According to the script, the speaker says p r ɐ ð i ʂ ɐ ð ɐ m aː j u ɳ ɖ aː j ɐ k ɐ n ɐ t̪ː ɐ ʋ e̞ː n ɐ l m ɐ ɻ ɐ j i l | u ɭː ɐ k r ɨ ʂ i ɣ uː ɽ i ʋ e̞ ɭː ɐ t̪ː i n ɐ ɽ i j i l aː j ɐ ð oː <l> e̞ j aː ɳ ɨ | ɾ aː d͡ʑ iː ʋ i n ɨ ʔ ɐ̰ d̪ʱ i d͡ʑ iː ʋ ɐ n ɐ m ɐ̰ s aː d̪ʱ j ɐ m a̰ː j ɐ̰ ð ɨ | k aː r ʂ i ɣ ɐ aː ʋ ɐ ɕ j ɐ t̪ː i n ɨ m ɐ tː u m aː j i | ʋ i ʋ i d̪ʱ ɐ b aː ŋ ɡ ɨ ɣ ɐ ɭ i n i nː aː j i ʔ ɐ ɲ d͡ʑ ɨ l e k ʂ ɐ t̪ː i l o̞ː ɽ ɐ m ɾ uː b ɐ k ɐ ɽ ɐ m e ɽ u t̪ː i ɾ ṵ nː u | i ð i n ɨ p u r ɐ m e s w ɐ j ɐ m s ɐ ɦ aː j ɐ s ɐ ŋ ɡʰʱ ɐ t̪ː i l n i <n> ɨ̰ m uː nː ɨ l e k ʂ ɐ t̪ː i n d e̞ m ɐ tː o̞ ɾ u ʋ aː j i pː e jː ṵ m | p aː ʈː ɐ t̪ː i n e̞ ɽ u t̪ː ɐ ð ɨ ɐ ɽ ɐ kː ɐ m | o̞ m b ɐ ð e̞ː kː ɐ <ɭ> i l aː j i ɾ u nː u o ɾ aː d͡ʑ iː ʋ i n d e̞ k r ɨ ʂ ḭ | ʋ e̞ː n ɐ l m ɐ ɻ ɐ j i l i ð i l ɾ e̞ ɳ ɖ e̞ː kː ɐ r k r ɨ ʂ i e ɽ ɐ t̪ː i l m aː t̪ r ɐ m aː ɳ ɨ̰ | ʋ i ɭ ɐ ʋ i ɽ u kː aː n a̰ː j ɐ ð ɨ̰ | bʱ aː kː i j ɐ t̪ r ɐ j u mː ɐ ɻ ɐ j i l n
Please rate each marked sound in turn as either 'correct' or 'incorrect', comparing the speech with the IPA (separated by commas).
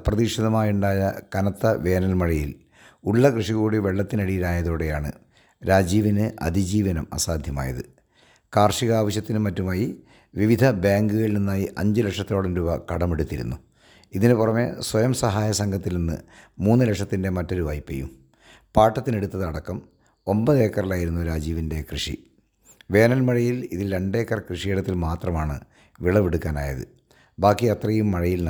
incorrect, incorrect, incorrect